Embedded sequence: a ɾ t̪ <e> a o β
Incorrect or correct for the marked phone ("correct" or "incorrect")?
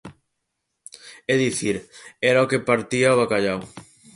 incorrect